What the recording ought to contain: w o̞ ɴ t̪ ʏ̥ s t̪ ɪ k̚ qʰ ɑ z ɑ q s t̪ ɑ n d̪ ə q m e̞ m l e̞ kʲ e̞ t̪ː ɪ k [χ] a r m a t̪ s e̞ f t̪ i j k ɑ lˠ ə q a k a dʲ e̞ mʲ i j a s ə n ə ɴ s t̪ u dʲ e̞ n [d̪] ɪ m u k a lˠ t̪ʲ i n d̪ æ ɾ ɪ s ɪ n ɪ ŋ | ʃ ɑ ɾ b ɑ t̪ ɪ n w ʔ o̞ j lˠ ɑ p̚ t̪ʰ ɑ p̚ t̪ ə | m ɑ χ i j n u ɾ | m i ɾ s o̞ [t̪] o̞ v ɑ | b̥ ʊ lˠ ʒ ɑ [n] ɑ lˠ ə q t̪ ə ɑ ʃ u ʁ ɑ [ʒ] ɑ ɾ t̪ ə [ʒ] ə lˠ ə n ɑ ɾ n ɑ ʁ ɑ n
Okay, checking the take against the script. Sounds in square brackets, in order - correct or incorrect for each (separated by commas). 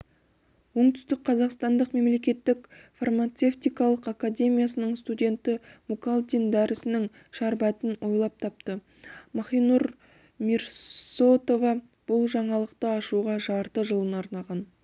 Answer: incorrect, incorrect, correct, incorrect, correct, correct